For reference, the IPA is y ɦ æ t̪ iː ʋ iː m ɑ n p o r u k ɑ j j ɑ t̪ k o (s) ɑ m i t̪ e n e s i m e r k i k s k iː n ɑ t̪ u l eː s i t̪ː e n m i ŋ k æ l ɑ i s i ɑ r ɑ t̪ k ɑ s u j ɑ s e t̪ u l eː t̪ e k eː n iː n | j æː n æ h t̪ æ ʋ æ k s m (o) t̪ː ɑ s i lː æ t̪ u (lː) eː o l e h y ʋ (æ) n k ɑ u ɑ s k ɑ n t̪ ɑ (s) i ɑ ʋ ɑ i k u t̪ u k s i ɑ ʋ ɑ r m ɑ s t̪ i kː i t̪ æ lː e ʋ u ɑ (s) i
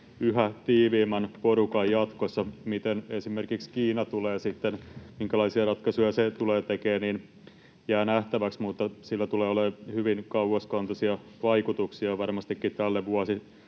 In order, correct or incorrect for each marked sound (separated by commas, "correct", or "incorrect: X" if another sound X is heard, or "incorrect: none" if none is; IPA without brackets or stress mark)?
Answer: incorrect: sː, incorrect: u, incorrect: l, incorrect: i, correct, correct